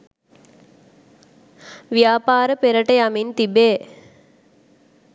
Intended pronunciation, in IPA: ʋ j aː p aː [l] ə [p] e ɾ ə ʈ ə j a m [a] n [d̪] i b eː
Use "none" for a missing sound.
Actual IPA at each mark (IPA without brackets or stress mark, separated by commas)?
ɾ, p, i, t̪